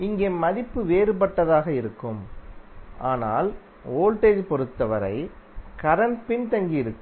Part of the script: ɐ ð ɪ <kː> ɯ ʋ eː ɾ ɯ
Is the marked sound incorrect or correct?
incorrect: pː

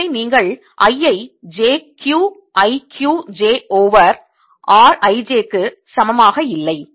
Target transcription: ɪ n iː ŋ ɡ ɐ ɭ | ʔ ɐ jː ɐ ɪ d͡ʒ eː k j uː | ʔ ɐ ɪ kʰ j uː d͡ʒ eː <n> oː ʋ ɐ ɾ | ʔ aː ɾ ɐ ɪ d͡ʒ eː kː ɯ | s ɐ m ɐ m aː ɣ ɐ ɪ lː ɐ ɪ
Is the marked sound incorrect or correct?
incorrect: none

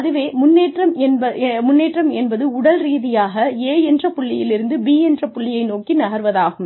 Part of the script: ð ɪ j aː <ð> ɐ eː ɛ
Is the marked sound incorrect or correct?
incorrect: ɣ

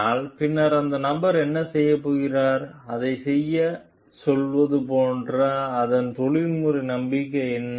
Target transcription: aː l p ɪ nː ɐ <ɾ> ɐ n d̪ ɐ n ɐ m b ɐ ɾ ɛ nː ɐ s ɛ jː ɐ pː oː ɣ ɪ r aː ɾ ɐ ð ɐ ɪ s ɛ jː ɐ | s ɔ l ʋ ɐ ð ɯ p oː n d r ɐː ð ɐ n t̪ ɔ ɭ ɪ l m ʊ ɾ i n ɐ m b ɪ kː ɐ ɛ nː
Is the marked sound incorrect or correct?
correct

